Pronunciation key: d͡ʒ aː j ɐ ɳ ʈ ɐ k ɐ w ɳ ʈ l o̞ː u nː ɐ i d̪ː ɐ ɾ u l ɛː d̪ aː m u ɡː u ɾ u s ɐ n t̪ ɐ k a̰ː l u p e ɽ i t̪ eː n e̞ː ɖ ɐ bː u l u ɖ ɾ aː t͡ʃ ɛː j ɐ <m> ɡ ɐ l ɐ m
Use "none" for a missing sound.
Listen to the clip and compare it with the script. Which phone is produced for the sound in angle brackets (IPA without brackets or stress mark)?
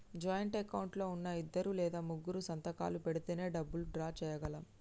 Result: none